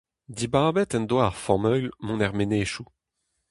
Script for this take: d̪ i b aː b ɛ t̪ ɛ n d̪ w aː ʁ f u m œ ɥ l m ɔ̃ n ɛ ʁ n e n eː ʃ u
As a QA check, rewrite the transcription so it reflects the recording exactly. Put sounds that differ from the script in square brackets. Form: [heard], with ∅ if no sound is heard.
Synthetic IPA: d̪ i b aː b ɛ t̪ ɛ n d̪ w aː ʁ f [ɔ] m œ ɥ l m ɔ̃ n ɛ ʁ [m] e n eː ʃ u